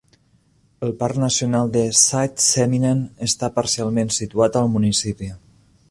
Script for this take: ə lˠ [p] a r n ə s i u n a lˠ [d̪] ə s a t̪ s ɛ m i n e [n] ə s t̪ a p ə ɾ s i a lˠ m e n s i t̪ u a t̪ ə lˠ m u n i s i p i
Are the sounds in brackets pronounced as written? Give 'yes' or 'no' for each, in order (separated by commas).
yes, yes, yes